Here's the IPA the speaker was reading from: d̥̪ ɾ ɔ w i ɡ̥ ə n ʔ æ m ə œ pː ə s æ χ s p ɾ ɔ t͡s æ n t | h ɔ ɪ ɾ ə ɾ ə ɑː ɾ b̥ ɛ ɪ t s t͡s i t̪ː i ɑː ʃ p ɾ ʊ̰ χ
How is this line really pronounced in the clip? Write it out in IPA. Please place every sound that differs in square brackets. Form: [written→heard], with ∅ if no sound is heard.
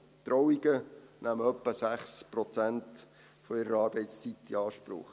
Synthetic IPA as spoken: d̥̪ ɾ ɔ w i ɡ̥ ə n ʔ æ m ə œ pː ə s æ χ s p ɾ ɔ t͡s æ n t | [h→f] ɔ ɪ ɾ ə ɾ ə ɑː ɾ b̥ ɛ ɪ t s t͡s i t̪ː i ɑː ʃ p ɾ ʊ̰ χ